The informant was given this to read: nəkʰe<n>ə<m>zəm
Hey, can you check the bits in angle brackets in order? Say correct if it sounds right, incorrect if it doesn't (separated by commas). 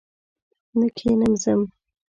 correct, correct